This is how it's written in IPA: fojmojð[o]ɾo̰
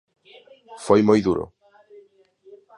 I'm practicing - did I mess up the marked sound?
yes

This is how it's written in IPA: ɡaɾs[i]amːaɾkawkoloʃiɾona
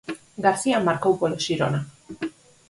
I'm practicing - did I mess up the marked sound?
no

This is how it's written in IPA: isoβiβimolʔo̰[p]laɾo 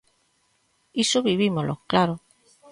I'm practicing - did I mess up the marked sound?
yes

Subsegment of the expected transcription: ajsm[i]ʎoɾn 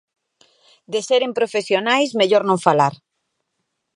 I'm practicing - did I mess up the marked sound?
yes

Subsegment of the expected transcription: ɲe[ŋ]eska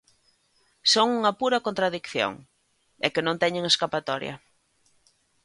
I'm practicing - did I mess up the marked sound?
no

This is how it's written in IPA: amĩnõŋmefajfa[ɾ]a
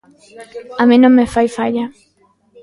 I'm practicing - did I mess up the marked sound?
yes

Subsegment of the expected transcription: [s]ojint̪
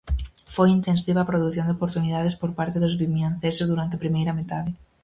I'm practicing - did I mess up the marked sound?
yes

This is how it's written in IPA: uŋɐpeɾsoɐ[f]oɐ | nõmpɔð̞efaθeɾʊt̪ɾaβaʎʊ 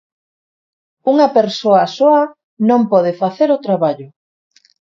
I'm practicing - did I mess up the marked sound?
yes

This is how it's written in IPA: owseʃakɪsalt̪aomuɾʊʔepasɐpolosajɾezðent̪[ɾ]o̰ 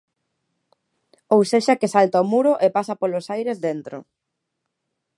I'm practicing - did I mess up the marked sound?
no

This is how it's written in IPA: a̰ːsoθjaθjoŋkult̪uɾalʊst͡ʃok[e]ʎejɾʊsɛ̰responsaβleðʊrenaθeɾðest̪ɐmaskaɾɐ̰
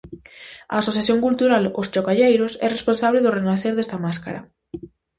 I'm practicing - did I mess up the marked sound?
yes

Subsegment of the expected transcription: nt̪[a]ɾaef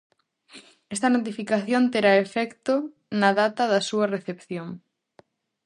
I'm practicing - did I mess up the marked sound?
yes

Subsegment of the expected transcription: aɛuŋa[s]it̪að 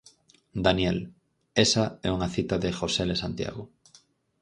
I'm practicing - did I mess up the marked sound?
yes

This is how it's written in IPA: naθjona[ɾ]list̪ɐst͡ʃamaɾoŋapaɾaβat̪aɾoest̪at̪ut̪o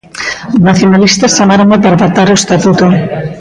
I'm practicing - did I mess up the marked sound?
yes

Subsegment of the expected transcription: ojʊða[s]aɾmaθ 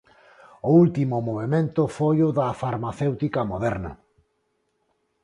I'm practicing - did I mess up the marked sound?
yes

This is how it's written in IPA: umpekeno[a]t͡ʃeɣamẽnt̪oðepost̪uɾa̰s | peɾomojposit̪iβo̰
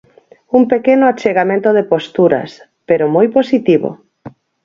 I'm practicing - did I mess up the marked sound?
no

